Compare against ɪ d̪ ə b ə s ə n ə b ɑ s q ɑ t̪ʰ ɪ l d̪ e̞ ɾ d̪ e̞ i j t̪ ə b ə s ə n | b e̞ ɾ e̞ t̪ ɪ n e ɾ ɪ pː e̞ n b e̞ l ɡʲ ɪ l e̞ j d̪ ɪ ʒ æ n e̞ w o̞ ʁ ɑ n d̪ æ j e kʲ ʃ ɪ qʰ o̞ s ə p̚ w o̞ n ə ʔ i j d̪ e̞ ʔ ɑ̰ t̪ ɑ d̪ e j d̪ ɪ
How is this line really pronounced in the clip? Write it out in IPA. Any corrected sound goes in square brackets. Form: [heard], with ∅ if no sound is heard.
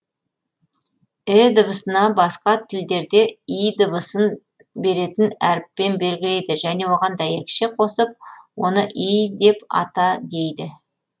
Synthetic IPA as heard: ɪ d̪ ə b ə s ə n [ɑ] b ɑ s q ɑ t̪ʰ ɪ l d̪ e̞ ɾ d̪ e̞ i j [d̪] ə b ə s ə n | b e̞ ɾ e̞ t̪ ɪ n [æ] ɾ ɪ pː e̞ n b e̞ l ɡʲ ɪ l e̞ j d̪ ɪ ʒ æ n e̞ w o̞ ʁ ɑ n d̪ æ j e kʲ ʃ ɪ qʰ o̞ s ə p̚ w o̞ n ə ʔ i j d̪ e̞ [p] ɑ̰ t̪ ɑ d̪ e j d̪ ɪ

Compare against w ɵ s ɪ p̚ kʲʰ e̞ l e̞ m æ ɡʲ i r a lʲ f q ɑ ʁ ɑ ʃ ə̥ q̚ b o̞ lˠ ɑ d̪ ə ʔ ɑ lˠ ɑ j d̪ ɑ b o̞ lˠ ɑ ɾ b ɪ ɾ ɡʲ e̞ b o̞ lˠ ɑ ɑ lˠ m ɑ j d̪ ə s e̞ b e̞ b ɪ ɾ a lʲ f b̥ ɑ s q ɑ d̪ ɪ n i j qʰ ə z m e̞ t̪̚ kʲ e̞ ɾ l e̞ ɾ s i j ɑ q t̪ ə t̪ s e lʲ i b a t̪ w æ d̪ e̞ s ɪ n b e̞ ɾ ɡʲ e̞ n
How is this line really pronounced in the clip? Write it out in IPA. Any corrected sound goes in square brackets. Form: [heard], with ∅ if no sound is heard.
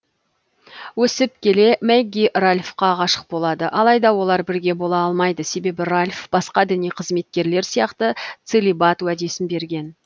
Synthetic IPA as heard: w ɵ s ɪ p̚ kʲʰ e̞ l e̞ m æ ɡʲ i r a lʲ f q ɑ ʁ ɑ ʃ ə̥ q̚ b o̞ lˠ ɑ d̪ ə ʔ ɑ lˠ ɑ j d̪ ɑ [w] o̞ lˠ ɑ ɾ b ɪ ɾ ɡʲ e̞ b o̞ lˠ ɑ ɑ lˠ m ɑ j d̪ ə s e̞ b e̞ b ɪ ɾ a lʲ f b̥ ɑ s q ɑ d̪ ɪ n i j qʰ ə z m e̞ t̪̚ kʲ e̞ ɾ l e̞ ɾ s i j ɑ q t̪ ə t̪ s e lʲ i b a t̪ w æ d̪ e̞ s ɪ n b e̞ ɾ ɡʲ e̞ n

